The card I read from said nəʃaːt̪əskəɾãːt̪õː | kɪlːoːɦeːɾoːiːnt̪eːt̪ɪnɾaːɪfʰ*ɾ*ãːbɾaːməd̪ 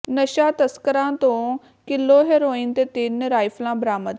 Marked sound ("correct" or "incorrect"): incorrect